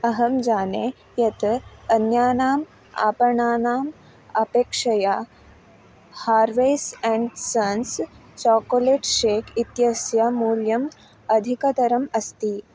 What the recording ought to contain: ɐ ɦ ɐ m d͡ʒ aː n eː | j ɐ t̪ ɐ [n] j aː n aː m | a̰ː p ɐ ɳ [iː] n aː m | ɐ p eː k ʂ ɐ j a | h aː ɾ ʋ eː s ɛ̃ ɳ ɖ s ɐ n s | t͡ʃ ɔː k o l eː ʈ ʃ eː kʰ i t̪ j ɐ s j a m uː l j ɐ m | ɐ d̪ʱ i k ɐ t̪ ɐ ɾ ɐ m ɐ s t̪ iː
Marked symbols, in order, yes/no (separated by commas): yes, no